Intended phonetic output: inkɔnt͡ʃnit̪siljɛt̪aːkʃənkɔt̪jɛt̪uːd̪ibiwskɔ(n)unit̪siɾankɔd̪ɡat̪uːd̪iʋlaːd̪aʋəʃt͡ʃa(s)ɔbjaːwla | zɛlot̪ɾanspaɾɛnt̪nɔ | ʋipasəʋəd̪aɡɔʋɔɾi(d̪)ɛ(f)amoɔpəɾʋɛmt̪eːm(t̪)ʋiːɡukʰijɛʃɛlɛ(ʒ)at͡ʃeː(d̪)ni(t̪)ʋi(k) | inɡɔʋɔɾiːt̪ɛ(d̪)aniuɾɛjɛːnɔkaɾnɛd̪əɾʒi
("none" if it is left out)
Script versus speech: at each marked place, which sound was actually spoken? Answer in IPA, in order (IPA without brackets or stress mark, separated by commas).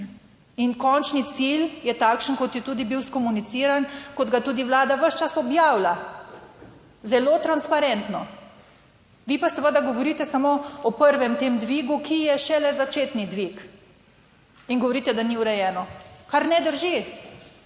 m, s, t̪, s, d̪, z, t̪, d̪, k, d̪